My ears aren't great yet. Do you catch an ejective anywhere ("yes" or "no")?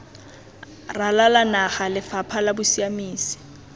no